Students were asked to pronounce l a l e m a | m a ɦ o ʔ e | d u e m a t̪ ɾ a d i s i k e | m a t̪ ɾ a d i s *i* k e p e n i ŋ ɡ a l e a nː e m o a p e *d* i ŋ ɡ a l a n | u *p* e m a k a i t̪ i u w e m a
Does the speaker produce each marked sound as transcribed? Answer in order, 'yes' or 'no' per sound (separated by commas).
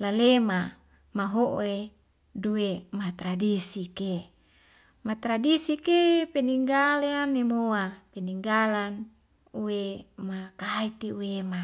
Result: yes, no, no